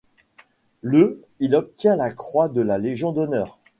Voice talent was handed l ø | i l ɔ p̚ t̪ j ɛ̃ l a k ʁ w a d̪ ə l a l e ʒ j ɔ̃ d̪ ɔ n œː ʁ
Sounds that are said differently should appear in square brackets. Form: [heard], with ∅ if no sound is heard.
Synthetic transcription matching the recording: l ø | i l ɔ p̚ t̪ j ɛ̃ l a k [χ] w a d̪ ə l a l e ʒ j ɔ̃ d̪ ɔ n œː ʁ